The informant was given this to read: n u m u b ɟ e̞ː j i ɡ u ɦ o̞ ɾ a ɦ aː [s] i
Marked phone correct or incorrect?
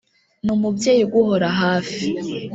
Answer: incorrect